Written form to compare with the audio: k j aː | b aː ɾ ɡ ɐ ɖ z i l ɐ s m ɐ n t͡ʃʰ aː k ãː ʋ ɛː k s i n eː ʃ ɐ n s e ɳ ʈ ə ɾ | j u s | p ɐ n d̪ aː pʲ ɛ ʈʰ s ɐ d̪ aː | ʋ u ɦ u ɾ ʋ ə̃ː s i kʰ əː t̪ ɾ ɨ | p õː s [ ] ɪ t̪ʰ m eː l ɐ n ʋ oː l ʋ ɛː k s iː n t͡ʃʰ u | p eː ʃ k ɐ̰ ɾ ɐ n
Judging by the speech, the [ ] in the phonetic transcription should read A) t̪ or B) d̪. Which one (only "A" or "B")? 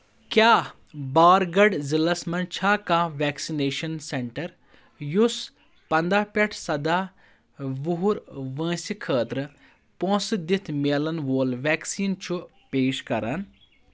B